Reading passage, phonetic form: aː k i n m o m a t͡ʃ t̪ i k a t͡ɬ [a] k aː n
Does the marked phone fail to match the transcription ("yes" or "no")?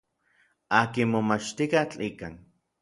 yes